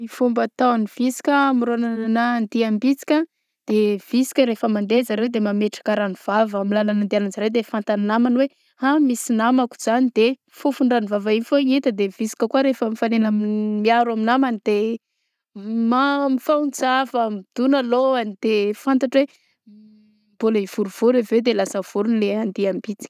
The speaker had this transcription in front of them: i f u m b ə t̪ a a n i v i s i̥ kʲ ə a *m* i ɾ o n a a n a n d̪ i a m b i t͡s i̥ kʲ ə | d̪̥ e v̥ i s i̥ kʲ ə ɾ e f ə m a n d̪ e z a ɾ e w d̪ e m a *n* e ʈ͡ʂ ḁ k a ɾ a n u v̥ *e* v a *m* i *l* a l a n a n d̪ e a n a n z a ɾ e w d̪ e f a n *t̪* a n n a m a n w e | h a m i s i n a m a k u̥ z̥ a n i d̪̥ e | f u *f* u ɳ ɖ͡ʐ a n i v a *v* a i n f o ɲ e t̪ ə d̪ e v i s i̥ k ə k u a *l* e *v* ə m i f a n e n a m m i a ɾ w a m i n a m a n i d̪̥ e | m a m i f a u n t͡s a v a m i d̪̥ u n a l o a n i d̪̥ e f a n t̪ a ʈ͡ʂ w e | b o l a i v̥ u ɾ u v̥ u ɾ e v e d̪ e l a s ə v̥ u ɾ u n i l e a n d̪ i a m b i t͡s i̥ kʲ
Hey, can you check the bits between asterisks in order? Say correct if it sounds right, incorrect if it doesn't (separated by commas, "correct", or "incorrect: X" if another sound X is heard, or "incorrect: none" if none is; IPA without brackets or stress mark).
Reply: correct, incorrect: m, incorrect: a, correct, correct, correct, correct, correct, incorrect: ɾ, incorrect: f